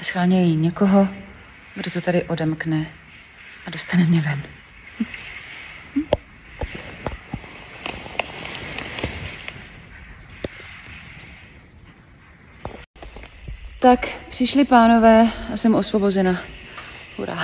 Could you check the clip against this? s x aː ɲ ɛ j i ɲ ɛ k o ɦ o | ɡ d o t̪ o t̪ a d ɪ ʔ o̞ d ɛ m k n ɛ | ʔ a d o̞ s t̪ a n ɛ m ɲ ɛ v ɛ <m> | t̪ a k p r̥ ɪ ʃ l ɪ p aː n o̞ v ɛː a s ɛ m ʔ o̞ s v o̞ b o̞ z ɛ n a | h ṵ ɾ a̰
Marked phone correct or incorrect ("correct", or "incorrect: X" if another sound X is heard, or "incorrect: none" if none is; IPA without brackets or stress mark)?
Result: incorrect: n